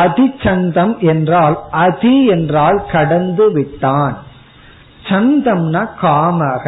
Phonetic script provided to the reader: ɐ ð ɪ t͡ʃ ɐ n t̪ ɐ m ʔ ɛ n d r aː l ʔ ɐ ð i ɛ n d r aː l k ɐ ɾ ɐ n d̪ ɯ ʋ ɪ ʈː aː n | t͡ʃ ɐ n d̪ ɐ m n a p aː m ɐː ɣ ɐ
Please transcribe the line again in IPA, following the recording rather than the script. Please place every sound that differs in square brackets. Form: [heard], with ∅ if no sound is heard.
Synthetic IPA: ɐ ð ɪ t͡ʃ ɐ n [d̪] ɐ m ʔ ɛ n d r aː l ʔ ɐ ð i ɛ n d r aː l k ɐ [ɽ] ɐ n d̪ ɯ ʋ ɪ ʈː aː n | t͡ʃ ɐ n d̪ ɐ m n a [k] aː m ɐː ɣ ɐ